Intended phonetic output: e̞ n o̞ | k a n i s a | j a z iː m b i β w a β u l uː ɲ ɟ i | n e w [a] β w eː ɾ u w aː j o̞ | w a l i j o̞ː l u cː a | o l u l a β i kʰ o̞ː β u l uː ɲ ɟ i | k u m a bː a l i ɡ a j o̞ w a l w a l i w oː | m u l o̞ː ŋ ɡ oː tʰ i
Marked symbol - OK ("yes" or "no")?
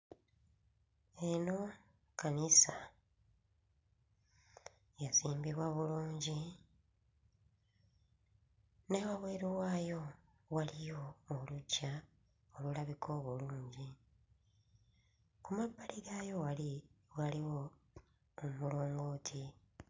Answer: yes